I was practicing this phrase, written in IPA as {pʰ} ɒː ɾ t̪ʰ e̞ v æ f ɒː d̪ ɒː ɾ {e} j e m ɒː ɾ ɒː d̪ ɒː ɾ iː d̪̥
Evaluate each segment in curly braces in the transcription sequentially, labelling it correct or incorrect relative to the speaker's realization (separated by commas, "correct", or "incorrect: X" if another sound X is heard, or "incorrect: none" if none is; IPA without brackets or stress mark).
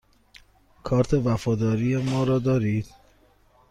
incorrect: kʰ, incorrect: i